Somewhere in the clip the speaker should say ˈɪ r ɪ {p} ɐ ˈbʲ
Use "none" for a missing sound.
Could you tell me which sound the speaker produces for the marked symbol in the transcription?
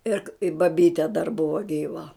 b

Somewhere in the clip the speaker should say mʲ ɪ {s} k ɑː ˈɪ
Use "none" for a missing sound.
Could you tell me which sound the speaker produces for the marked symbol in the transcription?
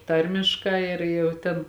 ʃ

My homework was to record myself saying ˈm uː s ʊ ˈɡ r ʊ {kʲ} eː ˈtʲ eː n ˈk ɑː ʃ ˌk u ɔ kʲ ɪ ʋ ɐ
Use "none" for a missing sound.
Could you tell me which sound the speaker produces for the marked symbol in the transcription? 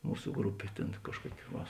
pʲ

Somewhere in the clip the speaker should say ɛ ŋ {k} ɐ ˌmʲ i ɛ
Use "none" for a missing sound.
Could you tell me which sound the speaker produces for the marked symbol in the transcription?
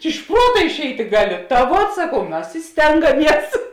ɡ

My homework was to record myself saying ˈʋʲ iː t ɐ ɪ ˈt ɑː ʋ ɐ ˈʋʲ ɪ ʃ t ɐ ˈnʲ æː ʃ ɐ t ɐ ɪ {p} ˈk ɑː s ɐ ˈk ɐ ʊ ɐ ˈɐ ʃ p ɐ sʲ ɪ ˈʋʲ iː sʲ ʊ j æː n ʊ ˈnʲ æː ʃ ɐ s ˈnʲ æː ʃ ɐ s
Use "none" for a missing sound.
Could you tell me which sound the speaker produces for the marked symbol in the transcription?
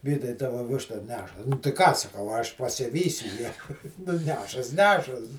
none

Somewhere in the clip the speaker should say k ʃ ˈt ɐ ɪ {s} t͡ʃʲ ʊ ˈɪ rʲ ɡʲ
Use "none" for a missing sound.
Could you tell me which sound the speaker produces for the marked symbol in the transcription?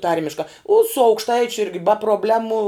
none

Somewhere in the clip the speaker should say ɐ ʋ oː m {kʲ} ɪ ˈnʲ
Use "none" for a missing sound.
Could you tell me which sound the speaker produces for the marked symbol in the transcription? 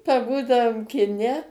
kʲ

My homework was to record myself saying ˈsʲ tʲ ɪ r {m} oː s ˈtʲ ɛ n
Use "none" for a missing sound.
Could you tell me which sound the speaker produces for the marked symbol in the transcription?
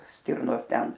n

